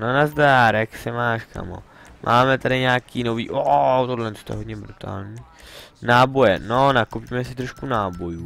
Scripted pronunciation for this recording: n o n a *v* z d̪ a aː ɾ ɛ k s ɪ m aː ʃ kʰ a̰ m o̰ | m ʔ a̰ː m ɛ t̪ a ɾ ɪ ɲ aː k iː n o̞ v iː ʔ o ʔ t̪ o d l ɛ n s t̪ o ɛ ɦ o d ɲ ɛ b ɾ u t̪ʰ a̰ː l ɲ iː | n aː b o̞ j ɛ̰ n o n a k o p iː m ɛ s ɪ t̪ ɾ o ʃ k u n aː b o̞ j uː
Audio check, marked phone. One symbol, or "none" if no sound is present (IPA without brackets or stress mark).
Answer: none